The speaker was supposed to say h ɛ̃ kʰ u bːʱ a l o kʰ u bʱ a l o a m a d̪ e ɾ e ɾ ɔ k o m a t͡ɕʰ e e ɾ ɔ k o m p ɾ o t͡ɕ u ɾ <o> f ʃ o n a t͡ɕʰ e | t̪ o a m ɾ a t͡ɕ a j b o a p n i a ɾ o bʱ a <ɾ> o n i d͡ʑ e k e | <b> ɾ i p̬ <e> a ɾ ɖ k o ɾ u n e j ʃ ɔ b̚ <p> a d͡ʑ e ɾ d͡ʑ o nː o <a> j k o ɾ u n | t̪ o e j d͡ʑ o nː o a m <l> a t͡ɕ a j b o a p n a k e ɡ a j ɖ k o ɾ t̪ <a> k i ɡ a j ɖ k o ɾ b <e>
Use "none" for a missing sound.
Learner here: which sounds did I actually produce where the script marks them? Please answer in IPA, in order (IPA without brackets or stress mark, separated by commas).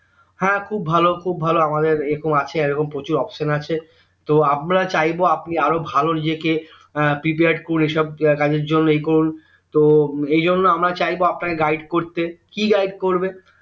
ɔ, l, p, e, k, e, ɾ, e, e